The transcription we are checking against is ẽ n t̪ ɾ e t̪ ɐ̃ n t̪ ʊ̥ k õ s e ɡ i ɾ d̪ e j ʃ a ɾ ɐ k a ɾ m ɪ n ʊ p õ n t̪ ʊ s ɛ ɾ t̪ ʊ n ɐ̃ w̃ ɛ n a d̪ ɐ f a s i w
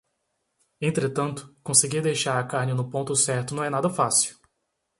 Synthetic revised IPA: ẽ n t̪ ɾ e t̪ ɐ̃ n t̪ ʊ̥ k õ s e ɡ i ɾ d̪ e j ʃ a ɾ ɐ k a ɾ n ɪ n ʊ p õ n t̪ ʊ s ɛ ɾ t̪ ʊ n ɐ̃ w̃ ɛ n a d̪ ɐ f a s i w